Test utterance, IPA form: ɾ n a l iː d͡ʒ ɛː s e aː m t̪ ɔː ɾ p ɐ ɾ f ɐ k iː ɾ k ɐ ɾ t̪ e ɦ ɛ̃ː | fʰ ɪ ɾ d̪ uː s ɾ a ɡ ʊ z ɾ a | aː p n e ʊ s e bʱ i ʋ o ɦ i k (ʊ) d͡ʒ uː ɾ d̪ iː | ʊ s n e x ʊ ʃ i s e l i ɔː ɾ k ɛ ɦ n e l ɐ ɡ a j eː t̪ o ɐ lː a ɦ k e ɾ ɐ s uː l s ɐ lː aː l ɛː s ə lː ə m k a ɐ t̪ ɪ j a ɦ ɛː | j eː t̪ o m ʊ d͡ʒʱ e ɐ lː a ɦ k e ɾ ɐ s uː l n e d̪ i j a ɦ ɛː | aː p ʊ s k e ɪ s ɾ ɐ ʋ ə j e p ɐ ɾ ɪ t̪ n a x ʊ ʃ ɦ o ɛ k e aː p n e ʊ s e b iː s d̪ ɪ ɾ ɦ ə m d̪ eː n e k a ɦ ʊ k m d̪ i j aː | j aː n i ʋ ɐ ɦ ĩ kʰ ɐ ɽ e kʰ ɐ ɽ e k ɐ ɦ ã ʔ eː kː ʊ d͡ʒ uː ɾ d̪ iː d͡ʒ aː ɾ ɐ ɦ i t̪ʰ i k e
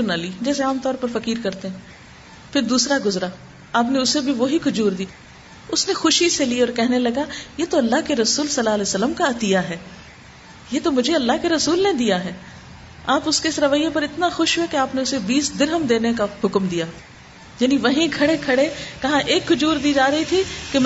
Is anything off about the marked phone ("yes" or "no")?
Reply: no